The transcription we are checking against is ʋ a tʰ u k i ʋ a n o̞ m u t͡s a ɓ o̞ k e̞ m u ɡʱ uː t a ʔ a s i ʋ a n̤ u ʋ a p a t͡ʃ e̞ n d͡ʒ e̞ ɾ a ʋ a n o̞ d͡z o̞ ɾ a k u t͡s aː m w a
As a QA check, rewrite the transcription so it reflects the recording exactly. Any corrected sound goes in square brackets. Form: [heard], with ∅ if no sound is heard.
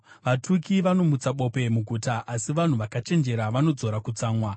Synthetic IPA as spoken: ʋ a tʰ u k i ʋ a n o̞ m u t͡s a ɓ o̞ [p] e̞ m u ɡʱ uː t a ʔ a s i ʋ a n̤ u ʋ a [k] a t͡ʃ e̞ n d͡ʒ e̞ ɾ a ʋ a n o̞ d͡z o̞ ɾ a k u t͡s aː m w a